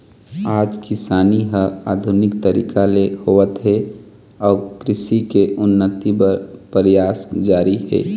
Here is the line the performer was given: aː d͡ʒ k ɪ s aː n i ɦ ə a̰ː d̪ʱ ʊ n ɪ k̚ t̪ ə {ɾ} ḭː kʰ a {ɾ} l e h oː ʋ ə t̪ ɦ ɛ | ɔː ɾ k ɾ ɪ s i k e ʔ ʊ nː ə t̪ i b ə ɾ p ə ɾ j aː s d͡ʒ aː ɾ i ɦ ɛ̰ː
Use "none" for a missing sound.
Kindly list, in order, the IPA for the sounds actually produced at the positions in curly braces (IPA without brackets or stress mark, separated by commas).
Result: ɾ, none